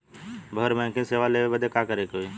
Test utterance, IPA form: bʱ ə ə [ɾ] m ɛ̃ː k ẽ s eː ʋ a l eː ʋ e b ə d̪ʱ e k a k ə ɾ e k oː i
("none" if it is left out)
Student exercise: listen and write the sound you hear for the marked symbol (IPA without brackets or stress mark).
ɾ